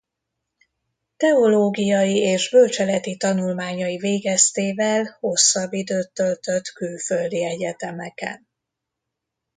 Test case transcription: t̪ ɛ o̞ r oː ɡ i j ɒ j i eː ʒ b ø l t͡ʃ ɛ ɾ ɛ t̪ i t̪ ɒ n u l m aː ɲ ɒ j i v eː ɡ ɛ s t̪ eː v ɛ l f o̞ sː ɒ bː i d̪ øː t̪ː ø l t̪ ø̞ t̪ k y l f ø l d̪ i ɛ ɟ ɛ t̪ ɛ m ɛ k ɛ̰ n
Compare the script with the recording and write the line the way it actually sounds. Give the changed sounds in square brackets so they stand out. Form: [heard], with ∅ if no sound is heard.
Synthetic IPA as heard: t̪ ɛ o̞ [l] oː ɡ i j ɒ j i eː ʒ b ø l t͡ʃ ɛ [l] ɛ t̪ i t̪ ɒ n u l m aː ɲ ɒ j i v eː ɡ ɛ s t̪ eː v ɛ l [h] o̞ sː ɒ bː i d̪ øː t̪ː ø l t̪ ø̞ t̪ k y l f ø l d̪ i ɛ ɟ ɛ t̪ ɛ m ɛ k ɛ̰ n